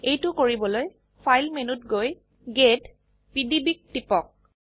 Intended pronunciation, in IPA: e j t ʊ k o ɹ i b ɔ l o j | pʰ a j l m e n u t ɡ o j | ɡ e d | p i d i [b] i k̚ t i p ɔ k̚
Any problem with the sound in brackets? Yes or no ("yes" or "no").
no